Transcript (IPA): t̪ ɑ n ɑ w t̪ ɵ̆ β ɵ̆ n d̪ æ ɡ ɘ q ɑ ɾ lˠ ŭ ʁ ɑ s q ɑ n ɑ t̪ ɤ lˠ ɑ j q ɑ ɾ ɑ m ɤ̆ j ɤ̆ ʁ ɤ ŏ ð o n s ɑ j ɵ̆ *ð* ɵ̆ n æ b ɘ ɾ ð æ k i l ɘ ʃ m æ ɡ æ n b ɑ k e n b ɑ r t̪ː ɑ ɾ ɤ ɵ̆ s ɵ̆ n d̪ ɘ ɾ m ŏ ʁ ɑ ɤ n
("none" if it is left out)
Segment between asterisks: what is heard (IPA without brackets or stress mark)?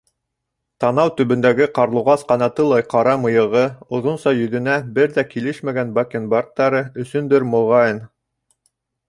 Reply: ð